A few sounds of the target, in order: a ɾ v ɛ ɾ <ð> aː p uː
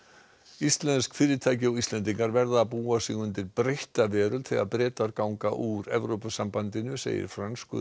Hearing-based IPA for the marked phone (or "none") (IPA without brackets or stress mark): ð